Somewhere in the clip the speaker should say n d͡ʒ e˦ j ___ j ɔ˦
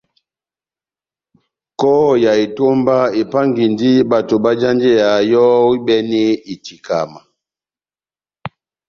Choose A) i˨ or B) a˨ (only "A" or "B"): B